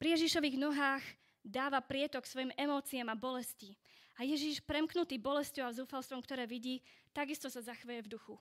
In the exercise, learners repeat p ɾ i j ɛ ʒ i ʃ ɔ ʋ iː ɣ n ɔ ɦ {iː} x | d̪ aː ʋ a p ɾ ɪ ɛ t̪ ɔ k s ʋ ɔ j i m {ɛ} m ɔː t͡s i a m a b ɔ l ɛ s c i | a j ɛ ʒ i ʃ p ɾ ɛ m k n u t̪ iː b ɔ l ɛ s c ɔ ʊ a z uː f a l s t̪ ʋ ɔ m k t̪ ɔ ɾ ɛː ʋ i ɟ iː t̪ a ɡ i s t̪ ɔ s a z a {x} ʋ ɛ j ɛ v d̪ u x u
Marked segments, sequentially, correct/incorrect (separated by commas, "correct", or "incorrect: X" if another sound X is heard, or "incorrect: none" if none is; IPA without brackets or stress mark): incorrect: aː, correct, correct